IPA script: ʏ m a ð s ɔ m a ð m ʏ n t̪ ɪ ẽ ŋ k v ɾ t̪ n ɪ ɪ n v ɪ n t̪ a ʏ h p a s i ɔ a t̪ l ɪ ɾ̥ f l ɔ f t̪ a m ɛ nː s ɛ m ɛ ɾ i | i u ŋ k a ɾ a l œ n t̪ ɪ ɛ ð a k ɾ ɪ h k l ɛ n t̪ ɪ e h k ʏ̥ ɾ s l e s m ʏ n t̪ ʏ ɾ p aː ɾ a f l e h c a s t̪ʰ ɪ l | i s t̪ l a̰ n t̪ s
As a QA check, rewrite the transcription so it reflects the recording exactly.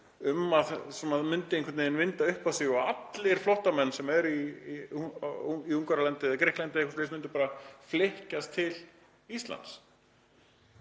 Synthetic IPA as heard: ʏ m a ð s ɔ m a ð m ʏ n t̪ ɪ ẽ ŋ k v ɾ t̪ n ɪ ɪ n v ɪ n t̪ a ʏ h p a s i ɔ a t̪ l ɪ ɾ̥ f l ɔ h t̪ a m ɛ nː s ɛ m ɛ ɾ i | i u ŋ k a ɾ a l ɛ n t̪ ɪ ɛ ð a k ɾ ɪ h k l ɛ n t̪ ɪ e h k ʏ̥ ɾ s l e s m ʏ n t̪ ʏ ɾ p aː ɾ a f l e h c a s t̪ʰ ɪ l | i s t̪ l a̰ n t̪ s